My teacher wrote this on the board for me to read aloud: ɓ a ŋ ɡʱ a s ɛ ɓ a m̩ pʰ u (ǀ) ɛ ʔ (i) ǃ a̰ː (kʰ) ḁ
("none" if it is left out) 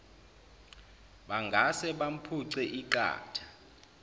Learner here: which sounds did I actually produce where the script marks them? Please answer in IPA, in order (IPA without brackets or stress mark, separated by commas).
ǀ, i, tʰ